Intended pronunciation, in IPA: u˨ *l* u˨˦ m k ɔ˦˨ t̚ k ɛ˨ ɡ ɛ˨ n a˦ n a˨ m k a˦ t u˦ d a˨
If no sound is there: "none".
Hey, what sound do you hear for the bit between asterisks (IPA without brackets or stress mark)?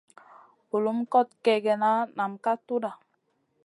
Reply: l